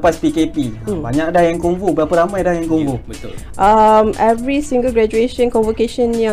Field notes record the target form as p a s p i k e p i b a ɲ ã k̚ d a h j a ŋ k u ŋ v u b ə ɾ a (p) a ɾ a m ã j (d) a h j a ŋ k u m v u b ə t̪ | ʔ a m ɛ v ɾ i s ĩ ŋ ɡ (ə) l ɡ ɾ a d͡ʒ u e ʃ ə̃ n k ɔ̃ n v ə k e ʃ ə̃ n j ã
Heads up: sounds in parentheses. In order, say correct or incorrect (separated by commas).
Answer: correct, correct, correct